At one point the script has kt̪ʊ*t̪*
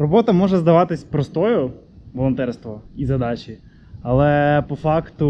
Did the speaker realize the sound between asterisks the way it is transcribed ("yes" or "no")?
no